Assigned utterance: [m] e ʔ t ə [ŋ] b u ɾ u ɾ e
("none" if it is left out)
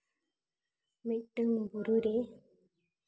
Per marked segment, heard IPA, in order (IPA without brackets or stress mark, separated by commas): m, ŋ